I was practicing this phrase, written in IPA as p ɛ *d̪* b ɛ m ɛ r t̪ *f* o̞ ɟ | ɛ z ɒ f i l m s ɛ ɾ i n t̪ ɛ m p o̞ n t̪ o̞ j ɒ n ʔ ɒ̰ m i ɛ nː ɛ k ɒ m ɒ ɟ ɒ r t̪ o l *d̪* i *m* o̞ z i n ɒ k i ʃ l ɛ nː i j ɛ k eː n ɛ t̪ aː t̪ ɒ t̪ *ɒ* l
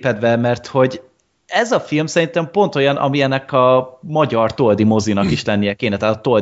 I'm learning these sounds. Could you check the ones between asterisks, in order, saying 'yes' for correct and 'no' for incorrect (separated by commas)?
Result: yes, no, yes, yes, no